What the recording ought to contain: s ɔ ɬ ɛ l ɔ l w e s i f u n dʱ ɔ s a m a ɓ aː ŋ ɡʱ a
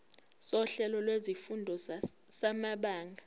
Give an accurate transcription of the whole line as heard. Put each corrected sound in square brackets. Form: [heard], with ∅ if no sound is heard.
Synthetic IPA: s ɔ ɬ ɛ l ɔ l w e [z] i f u n dʱ ɔ s a m a ɓ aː ŋ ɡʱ a